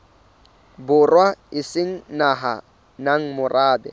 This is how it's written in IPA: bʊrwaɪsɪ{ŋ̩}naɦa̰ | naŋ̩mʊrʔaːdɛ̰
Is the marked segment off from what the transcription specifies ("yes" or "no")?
no